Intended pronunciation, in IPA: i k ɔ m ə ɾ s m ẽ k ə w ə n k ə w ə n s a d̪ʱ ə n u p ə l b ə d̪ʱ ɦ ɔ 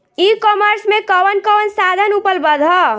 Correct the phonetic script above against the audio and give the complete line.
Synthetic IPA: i k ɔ m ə ɾ s m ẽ k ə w ə n k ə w ə n s a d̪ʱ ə n u p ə l b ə d̪ʱ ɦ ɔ